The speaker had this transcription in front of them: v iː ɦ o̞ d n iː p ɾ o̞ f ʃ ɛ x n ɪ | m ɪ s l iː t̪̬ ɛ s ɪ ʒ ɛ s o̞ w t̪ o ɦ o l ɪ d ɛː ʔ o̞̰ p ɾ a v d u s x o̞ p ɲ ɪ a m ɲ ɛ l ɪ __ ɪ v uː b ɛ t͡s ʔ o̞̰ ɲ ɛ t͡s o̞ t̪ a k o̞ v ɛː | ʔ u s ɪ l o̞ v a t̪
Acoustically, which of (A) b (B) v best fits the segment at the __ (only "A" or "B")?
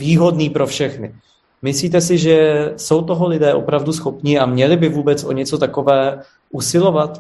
A